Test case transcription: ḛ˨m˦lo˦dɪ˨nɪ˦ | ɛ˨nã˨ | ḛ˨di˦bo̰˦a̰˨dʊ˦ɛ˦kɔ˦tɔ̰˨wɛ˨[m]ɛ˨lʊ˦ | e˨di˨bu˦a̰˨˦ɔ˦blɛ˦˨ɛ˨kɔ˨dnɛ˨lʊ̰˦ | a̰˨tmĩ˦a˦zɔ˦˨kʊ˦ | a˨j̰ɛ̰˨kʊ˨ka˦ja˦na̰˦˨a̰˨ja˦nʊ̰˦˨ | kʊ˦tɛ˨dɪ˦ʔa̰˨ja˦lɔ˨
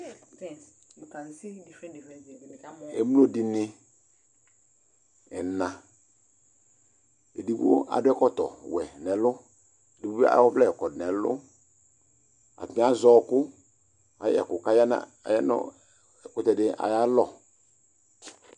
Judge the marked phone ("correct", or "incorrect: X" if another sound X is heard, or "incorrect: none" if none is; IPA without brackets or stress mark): incorrect: n